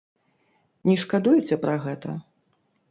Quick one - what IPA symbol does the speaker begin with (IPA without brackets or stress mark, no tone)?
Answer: nʲ